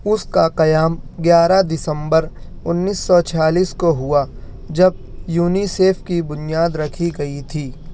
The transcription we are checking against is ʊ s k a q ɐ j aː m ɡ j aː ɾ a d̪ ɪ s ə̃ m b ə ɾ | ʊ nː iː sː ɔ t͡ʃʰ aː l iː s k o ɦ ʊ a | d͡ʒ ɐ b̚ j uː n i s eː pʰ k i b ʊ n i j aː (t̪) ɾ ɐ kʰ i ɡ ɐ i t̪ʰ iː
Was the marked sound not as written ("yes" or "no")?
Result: yes